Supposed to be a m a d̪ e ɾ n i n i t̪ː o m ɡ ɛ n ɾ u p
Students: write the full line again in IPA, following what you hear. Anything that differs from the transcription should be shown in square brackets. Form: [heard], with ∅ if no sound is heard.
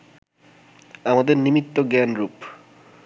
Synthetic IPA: a m a d̪ e ɾ n i [m] i t̪ː o [∅] ɡ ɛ n ɾ u p